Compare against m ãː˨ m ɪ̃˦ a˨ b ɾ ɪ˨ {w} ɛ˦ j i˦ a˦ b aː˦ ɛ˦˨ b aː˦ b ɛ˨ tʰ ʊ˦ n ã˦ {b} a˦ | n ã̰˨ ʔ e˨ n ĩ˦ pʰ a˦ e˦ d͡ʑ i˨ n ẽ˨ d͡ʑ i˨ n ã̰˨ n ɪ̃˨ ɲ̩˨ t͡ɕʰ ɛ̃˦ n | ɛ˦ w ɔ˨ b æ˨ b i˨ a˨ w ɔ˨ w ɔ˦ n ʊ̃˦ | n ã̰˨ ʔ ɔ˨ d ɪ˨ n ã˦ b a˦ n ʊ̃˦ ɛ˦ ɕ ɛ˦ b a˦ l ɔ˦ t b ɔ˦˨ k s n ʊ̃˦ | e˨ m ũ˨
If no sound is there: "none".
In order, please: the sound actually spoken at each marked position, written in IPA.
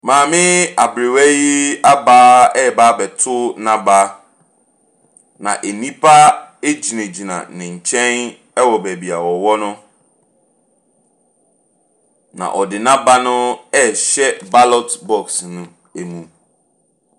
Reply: w, b

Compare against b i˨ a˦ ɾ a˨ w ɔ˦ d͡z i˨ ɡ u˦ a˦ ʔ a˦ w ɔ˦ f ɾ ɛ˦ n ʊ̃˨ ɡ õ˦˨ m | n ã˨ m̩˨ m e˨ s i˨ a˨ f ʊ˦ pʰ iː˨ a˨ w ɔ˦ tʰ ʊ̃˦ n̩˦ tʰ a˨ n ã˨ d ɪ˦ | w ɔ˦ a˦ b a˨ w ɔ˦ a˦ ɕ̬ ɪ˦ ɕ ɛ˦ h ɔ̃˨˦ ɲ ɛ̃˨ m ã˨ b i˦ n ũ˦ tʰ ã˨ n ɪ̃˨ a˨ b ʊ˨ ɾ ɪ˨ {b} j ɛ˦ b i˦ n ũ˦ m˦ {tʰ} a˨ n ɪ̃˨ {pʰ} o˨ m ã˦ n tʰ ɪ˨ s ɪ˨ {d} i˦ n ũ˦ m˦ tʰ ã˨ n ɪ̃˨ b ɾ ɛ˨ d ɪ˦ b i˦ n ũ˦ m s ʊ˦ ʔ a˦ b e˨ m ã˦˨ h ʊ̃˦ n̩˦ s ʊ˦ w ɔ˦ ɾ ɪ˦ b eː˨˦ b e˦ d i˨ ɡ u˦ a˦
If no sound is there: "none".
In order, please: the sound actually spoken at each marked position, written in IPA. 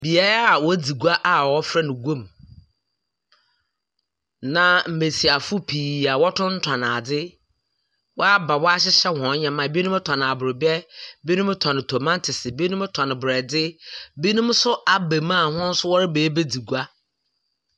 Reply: b, tʰ, tʰ, b

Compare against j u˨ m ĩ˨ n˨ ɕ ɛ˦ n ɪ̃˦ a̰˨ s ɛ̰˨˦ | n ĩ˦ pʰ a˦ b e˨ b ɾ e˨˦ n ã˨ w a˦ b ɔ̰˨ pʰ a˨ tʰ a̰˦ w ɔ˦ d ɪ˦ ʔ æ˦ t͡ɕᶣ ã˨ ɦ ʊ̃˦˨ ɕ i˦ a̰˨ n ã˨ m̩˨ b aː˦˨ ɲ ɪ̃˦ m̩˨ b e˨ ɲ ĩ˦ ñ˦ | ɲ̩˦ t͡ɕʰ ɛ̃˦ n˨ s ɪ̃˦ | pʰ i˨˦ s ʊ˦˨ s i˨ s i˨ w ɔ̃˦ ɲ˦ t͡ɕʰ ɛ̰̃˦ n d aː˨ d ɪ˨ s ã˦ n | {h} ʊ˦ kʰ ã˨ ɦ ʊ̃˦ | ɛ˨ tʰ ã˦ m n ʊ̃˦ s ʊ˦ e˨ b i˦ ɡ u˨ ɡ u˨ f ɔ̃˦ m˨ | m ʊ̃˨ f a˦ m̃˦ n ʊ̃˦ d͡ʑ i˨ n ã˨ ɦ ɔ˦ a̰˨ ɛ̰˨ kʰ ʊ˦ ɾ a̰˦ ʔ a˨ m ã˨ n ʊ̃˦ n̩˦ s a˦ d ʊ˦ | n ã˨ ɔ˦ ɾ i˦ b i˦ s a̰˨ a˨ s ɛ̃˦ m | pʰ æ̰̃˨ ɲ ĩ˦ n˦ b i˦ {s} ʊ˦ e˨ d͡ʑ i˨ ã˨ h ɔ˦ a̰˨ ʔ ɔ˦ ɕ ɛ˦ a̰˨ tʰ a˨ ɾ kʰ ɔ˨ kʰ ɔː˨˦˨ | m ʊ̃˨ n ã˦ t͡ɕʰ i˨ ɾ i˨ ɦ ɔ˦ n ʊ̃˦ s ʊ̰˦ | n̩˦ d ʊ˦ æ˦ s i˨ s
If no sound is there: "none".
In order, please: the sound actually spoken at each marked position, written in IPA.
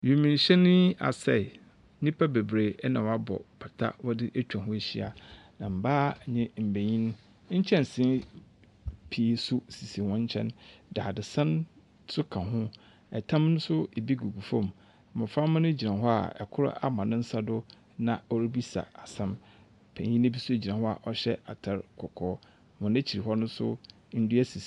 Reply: s, s

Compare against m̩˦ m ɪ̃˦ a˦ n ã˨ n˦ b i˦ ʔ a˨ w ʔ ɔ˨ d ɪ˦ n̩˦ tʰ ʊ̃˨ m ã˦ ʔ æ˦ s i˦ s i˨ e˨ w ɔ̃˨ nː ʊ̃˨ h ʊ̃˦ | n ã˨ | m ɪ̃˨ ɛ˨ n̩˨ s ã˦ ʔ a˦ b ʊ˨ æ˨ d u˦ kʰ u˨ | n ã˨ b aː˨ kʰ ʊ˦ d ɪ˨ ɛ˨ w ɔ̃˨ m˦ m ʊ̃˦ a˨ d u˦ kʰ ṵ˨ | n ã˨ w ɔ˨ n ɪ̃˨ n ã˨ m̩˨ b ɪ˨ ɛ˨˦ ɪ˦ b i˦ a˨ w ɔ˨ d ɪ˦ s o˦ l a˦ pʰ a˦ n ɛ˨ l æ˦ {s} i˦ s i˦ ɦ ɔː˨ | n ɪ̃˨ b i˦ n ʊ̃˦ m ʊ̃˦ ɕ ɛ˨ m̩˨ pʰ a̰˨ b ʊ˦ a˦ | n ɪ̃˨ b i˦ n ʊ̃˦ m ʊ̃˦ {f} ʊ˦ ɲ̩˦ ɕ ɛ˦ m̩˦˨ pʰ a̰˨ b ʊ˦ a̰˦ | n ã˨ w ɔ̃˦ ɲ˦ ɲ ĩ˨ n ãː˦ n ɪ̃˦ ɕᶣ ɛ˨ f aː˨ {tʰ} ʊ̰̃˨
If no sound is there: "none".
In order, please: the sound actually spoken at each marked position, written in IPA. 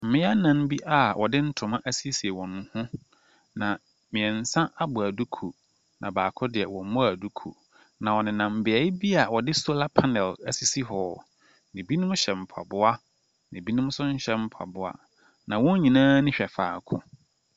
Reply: s, s, kʰ

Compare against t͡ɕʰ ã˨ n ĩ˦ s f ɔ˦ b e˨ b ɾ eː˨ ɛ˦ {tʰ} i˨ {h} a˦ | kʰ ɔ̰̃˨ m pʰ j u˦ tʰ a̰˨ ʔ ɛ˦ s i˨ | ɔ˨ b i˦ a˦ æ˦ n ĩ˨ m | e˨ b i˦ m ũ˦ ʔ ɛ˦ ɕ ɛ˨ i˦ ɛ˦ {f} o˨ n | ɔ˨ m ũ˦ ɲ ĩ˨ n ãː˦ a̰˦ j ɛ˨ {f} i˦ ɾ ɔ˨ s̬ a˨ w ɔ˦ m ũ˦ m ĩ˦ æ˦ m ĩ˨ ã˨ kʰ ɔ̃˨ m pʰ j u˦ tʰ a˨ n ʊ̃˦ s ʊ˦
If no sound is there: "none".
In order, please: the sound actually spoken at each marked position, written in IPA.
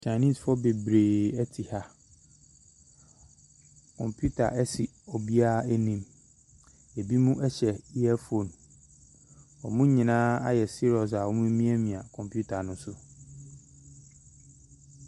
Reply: tʰ, h, f, s

